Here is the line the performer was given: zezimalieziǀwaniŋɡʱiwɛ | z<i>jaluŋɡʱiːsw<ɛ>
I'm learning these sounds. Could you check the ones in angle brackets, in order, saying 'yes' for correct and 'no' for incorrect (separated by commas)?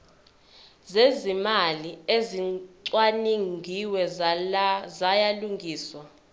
no, no